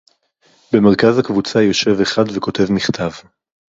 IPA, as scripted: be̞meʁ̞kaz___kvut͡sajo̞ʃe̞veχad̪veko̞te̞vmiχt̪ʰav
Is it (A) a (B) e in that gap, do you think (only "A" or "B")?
A